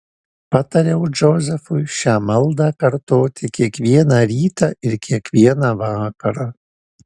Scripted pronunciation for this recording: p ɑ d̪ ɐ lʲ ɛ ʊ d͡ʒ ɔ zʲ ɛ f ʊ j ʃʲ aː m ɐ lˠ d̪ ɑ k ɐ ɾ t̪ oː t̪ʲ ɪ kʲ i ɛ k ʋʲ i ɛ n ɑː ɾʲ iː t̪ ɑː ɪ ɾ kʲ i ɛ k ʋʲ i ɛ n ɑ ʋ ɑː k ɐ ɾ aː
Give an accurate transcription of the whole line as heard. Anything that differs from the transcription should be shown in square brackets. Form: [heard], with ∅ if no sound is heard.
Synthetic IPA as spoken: p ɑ [t̪] ɐ [ɾʲ] ɛ ʊ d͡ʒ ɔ zʲ ɛ f ʊ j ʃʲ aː m ɐ lˠ d̪ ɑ k ɐ ɾ t̪ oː t̪ʲ ɪ kʲ i ɛ k ʋʲ i ɛ n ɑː ɾʲ iː t̪ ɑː ɪ ɾ kʲ i ɛ k ʋʲ i ɛ n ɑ ʋ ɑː k ɐ ɾ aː